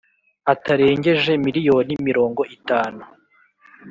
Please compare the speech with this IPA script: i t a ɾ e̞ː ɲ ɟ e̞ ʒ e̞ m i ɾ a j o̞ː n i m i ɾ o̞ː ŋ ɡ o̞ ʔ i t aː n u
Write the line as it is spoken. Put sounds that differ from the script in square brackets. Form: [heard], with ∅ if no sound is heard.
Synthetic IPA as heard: [a] t a ɾ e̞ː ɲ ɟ e̞ ʒ e̞ m i ɾ [i] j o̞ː n i m i ɾ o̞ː ŋ ɡ o̞ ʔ i t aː n u